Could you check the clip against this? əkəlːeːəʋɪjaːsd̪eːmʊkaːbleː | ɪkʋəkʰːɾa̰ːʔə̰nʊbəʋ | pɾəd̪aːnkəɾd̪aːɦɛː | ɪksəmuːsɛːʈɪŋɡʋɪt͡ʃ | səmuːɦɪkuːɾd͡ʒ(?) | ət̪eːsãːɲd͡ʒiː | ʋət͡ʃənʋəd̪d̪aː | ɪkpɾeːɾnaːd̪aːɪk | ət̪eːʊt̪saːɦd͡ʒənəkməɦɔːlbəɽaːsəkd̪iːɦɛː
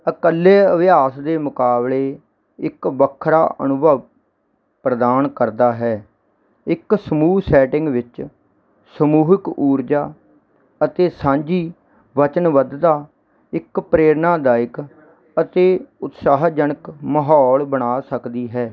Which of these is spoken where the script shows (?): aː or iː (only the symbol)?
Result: aː